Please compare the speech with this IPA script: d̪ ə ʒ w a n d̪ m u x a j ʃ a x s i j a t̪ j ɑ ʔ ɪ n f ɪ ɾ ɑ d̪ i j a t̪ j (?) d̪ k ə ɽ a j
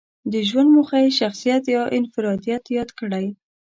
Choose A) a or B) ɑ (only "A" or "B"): B